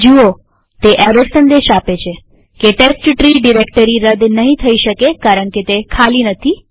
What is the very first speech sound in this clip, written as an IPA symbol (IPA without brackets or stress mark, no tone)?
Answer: d͡ʒ